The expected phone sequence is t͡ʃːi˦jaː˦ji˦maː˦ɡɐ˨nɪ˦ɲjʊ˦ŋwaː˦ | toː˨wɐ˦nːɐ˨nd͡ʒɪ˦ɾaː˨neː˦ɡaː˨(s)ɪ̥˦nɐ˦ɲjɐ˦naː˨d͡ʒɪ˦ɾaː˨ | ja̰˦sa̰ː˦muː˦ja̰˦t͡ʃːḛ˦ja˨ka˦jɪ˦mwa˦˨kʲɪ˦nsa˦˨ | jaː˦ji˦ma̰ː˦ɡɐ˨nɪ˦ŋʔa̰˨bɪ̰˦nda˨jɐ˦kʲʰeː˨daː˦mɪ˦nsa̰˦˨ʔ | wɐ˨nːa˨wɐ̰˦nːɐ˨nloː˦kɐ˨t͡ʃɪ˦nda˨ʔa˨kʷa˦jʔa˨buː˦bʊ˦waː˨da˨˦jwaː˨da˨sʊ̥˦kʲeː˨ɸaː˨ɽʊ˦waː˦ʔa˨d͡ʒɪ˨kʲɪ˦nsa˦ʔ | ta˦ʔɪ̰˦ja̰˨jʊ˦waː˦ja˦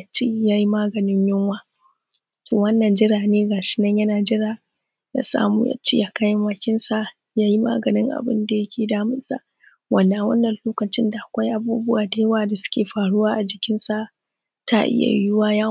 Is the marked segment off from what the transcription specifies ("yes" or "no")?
yes